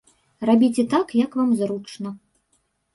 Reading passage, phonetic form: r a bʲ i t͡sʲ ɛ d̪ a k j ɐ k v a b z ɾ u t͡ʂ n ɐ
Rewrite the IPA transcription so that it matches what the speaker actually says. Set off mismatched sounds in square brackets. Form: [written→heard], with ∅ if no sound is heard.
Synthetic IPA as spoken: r a bʲ i t͡sʲ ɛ [d̪→t̪] a k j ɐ k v a [b→m] z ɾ u t͡ʂ n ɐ